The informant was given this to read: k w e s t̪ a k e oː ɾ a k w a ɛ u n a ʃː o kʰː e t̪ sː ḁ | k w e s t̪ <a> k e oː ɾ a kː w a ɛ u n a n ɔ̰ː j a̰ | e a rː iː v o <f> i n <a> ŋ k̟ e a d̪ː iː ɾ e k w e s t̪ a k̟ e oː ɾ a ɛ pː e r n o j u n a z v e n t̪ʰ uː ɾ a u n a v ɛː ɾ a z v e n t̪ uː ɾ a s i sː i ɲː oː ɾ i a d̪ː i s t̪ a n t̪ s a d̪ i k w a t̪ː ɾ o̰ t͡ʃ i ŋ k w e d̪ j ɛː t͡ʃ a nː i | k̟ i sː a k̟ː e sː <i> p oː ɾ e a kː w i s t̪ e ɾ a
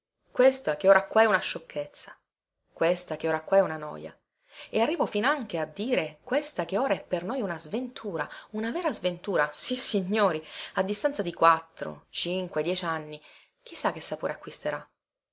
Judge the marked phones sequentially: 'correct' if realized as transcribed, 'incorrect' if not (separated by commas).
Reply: correct, correct, correct, incorrect